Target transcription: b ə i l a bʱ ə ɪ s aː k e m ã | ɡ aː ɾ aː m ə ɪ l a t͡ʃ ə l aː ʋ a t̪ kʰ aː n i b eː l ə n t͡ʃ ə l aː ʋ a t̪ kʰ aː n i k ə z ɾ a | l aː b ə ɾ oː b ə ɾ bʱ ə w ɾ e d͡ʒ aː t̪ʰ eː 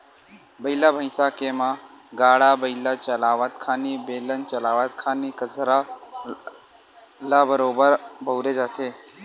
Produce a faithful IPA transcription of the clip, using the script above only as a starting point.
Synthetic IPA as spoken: b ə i l a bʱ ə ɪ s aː k e m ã | ɡ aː ɽ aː b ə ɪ l a t͡ʃ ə l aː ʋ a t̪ kʰ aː n i b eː l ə n t͡ʃ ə l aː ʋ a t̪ kʰ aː n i k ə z ɾ a | l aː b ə ɾ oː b ə ɾ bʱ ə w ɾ e d͡ʒ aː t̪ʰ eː